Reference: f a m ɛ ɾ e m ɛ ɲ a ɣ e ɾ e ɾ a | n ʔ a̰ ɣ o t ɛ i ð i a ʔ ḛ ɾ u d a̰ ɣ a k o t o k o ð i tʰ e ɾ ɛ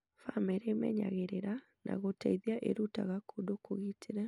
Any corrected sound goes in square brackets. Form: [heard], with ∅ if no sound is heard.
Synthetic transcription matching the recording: f a m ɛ ɾ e m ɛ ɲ a ɣ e ɾ e ɾ a | n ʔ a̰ ɣ o t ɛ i ð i a ʔ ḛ ɾ u [t] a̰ ɣ a k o [d] o k o [ɣ] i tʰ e ɾ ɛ